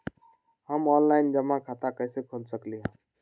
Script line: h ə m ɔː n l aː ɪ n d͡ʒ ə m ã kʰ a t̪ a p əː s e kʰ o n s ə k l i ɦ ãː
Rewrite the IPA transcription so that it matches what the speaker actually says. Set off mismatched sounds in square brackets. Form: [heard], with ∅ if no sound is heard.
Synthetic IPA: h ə m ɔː n l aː ɪ n d͡ʒ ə m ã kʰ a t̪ a [k] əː s e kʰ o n s ə k l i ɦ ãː

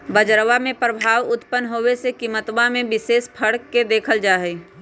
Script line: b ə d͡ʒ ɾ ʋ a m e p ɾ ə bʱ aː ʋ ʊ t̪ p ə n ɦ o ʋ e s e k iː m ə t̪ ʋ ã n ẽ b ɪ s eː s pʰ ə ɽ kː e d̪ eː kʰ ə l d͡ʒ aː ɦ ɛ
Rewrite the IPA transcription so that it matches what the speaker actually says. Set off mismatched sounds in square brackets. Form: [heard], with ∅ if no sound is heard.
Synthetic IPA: b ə d͡ʒ ɾ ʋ a m [ẽ] p ɾ ə bʱ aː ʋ ʊ t̪ p ə n ɦ o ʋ e s e k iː m ə t̪ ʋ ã [m] ẽ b ɪ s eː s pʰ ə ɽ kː e d̪ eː kʰ ə l d͡ʒ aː ɦ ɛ

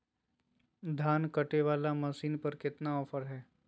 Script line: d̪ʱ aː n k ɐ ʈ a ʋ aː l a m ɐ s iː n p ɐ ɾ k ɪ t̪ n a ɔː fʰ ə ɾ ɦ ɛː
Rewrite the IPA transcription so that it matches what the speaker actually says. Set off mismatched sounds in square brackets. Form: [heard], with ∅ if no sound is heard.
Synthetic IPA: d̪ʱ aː n k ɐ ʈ [e] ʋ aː l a m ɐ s iː n p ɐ ɾ k ɪ t̪ n a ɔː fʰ ə ɾ ɦ ɛː

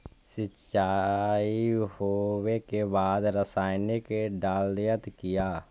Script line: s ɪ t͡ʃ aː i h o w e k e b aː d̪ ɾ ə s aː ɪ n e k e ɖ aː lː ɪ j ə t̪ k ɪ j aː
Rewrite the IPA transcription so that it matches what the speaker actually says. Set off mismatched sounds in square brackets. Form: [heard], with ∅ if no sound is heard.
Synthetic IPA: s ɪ t͡ʃ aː i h o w e k e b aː d̪ ɾ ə s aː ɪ n e k e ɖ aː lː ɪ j ə t̪ k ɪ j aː

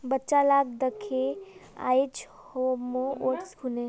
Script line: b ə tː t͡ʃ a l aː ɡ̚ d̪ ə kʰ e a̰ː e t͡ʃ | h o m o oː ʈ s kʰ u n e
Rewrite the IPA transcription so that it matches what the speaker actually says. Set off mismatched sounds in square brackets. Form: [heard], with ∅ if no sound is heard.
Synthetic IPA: b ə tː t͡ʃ a l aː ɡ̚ d̪ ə kʰ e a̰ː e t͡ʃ | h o m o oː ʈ s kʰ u n e

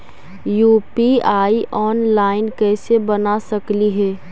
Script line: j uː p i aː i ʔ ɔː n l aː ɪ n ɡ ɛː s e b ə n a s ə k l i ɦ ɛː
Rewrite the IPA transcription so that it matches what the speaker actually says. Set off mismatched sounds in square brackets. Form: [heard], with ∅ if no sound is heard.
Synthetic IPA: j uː p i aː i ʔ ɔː n l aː ɪ n [k] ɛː s e b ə n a s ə k l i ɦ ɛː

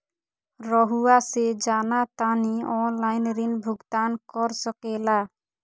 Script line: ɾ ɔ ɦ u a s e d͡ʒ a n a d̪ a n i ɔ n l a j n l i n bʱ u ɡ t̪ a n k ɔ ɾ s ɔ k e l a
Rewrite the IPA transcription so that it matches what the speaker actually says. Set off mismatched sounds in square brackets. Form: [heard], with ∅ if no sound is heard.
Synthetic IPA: ɾ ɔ ɦ u a s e d͡ʒ a n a [t̪] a n i ɔ n l a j n [ɾ] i n bʱ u ɡ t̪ a n k ɔ ɾ s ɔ k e l a

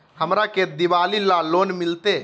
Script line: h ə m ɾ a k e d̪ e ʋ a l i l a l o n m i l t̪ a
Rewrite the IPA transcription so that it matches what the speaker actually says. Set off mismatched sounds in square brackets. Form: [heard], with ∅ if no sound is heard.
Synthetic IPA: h ə m ɾ a k e d̪ [i] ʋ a l i l a l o n m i l t̪ [e]

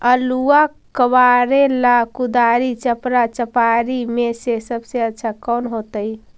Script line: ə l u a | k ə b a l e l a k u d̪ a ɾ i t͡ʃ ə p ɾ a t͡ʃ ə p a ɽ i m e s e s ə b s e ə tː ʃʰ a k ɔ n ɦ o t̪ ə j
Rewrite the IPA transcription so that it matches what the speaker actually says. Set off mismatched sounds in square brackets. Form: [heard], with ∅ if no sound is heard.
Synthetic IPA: ə l u a | k ə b a [ɾ] e l a k u d̪ a ɾ i t͡ʃ ə p ɾ a t͡ʃ ə p a [ɾ] i m e s e s ə b s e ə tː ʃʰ a k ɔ n ɦ o t̪ ə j

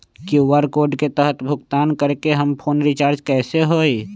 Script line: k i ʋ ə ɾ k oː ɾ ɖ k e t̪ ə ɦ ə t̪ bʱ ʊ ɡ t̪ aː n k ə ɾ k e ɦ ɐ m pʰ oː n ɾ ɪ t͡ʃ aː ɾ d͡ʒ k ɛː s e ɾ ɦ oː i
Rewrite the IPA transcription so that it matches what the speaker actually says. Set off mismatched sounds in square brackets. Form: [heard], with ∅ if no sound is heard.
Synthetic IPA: k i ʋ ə ɾ k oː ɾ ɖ k e t̪ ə ɦ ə t̪ bʱ ʊ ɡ t̪ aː n k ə ɾ k e ɦ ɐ m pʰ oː n ɾ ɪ t͡ʃ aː ɾ d͡ʒ k ɛː s e [∅] ɦ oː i

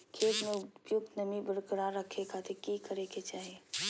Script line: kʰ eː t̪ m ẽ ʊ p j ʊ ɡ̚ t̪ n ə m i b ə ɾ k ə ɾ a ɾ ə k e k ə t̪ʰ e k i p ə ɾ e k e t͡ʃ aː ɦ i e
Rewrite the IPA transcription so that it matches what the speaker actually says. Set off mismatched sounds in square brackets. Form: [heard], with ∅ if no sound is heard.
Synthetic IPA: kʰ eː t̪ m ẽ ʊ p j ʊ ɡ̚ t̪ n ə m i b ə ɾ k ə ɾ a ɾ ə [kʰ] e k [a] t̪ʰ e k i [k] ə ɾ e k e t͡ʃ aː ɦ i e

